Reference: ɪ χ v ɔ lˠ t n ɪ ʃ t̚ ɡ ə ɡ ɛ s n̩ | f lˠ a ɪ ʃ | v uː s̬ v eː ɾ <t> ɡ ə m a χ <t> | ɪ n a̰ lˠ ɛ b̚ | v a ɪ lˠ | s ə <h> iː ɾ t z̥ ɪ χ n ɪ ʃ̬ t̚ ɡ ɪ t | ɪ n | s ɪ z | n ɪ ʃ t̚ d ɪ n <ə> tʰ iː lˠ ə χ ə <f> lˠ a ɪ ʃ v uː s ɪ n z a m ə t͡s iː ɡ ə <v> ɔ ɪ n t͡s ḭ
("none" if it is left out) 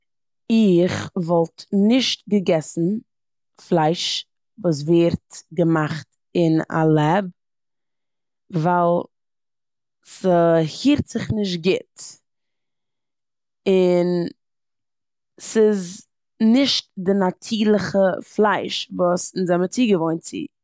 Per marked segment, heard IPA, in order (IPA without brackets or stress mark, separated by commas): t, t, h, a, f, v